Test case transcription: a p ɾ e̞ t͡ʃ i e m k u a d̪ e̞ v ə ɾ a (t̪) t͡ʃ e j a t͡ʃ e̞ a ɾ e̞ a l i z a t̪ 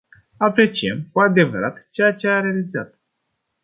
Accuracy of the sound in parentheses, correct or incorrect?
correct